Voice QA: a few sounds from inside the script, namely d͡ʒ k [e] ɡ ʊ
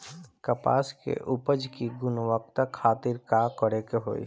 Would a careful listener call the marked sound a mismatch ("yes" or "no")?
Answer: yes